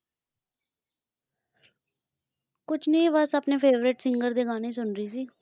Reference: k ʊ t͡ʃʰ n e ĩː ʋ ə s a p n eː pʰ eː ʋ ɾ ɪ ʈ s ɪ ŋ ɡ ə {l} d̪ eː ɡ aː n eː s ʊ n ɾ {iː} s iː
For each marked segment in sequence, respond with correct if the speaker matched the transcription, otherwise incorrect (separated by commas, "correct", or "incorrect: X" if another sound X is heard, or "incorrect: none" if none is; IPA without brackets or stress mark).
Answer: incorrect: ɾ, correct